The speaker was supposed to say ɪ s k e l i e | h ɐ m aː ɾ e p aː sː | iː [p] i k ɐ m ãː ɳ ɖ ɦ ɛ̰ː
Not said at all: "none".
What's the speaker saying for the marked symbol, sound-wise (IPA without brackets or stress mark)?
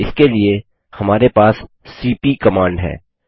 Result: p